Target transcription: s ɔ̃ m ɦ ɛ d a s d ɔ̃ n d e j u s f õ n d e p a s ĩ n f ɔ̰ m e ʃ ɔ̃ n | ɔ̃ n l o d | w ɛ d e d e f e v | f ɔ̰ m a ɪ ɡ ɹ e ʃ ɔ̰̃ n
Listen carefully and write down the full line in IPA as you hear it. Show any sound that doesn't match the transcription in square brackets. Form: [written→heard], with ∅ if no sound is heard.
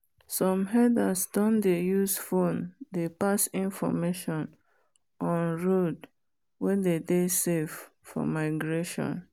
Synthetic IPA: s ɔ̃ m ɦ ɛ d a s d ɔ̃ n d e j u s f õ n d e p a s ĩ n f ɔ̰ m e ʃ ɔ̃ n | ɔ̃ n [l→ɹ] o d | w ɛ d e d e [f→s] e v | f ɔ̰ m a ɪ ɡ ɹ e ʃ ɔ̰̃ n